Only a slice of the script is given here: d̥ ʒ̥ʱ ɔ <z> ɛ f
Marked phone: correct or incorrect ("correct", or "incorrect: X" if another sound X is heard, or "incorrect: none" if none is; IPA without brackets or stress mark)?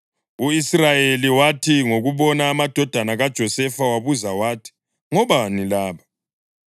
incorrect: s